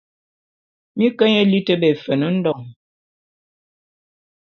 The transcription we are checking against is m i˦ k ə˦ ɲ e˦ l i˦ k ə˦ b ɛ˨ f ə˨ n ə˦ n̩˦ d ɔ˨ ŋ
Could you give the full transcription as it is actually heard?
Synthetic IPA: m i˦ k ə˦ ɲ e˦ l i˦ t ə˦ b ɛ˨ f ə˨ n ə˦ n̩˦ d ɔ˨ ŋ